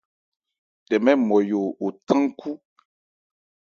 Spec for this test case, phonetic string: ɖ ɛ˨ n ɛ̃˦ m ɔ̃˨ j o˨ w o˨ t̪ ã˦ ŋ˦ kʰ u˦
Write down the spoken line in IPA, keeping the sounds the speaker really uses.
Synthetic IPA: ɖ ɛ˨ m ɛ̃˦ m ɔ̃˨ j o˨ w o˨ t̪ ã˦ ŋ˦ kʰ u˦